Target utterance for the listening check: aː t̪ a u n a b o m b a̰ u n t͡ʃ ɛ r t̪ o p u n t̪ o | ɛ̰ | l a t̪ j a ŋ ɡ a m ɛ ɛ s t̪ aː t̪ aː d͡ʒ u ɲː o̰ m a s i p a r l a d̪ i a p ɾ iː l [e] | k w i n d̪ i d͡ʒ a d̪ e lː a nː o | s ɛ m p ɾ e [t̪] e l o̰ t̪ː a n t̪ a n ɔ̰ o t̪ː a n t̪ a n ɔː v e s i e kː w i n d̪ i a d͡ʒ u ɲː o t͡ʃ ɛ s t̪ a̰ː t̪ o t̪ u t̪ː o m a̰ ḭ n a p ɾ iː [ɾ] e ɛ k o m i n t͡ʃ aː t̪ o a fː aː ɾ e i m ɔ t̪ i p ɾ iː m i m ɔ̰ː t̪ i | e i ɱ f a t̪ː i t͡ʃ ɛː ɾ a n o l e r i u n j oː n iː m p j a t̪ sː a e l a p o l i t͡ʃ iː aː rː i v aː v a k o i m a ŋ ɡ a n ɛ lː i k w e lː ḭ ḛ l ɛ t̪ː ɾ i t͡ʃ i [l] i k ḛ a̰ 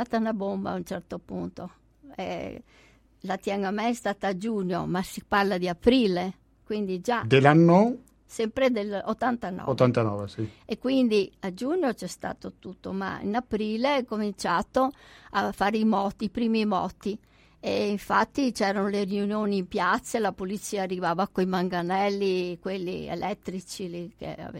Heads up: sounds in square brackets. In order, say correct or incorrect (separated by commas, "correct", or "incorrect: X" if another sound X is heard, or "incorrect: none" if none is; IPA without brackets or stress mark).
correct, incorrect: d̪, incorrect: l, correct